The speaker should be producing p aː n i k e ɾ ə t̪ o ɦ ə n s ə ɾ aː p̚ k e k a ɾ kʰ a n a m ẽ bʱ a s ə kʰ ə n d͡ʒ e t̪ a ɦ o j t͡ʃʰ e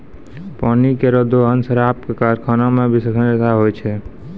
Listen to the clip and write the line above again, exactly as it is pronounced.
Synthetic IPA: p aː n i k e ɾ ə d̪ o ɦ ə n s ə ɾ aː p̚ k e k a ɾ kʰ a n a m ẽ bʱ i s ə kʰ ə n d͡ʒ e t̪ a ɦ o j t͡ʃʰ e